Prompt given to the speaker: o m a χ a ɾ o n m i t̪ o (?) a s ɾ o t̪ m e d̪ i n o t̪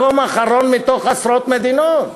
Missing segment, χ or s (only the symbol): χ